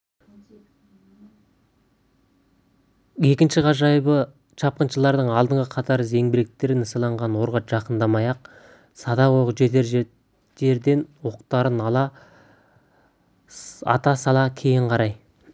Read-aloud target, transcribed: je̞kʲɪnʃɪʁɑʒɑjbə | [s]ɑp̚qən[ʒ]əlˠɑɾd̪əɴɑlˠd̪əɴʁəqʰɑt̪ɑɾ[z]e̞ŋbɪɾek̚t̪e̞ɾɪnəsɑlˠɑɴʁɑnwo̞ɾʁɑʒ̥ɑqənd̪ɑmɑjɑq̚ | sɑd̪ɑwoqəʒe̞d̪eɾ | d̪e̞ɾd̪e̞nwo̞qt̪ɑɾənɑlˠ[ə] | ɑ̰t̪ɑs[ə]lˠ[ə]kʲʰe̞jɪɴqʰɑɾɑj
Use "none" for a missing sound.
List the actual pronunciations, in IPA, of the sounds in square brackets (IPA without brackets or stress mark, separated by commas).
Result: ʃ, ʃ, z, ɑ, ɑ, ɑ